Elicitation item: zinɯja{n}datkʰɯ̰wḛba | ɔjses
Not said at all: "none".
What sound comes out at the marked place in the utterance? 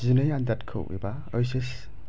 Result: n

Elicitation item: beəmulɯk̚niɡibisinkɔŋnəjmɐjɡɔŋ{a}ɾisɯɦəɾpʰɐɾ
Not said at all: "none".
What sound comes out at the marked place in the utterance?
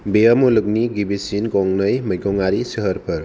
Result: a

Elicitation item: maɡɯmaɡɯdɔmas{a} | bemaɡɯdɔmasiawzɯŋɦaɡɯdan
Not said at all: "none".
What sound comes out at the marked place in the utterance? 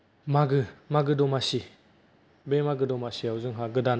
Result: i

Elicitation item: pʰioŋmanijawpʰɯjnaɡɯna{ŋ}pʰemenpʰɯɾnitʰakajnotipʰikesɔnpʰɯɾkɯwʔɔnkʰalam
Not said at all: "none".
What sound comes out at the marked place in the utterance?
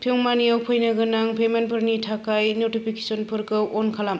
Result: ŋ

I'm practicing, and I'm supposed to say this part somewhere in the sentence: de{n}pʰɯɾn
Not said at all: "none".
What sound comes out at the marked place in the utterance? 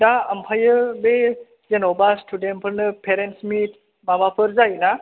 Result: n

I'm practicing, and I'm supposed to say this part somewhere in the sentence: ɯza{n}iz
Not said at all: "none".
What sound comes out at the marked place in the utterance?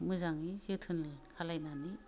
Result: ŋ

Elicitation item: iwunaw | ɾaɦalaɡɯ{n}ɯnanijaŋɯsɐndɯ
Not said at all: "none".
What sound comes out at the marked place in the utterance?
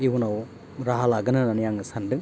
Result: n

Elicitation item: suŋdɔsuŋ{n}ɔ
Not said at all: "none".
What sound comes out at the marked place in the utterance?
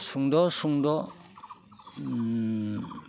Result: d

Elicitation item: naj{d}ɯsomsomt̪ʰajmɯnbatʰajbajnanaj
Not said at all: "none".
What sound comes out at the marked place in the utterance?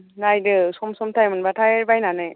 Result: d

